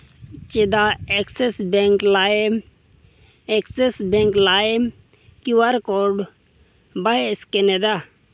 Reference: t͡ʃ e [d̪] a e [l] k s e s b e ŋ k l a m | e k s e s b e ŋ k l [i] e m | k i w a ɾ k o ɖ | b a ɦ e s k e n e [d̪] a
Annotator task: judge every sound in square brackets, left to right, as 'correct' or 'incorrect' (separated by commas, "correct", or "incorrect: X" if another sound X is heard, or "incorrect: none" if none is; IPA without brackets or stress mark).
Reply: correct, incorrect: none, incorrect: a, correct